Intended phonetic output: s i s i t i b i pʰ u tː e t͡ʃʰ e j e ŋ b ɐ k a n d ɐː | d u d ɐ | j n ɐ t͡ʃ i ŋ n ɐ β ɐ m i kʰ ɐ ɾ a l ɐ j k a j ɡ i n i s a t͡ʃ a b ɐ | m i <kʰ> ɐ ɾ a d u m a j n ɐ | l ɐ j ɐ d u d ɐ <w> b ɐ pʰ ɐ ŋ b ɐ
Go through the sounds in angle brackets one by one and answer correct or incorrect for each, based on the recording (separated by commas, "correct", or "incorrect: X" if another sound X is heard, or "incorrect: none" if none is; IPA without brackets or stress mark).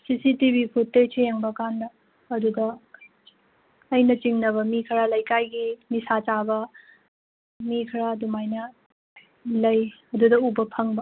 correct, incorrect: u